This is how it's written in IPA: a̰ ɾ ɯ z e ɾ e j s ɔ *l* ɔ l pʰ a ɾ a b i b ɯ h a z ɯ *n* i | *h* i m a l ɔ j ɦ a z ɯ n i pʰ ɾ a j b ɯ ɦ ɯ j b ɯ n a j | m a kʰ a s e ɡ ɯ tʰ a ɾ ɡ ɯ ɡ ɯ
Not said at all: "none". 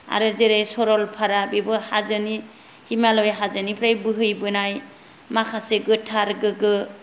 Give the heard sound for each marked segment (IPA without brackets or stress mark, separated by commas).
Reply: ɾ, n, h